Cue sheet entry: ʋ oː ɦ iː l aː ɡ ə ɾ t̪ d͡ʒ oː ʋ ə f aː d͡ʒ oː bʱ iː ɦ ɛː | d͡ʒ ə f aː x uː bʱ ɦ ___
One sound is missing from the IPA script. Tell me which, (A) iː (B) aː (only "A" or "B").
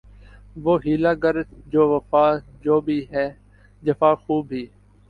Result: A